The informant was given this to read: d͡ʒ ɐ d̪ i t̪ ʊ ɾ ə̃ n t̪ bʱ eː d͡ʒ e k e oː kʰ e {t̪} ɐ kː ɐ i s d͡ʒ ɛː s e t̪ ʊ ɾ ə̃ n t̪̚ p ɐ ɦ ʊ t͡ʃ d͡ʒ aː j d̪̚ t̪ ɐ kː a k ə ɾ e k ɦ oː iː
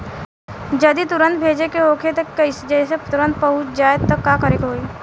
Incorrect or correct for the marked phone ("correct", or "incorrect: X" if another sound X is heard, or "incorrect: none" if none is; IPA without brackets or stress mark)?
correct